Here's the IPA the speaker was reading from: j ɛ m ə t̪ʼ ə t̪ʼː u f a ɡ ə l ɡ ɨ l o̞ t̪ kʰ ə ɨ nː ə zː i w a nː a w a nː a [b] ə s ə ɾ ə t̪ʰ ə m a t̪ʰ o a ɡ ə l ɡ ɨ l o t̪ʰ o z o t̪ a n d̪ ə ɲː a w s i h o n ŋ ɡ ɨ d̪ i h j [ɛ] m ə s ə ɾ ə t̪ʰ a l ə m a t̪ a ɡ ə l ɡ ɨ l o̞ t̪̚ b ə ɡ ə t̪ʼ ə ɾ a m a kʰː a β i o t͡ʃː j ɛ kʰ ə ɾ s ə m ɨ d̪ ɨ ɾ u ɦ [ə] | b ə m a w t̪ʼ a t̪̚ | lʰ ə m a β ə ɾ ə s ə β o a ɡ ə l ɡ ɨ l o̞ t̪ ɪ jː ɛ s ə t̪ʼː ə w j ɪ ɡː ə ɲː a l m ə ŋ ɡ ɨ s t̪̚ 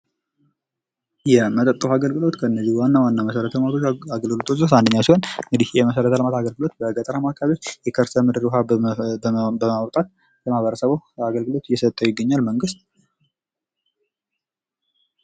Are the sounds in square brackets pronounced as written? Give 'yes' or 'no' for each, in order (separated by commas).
no, yes, no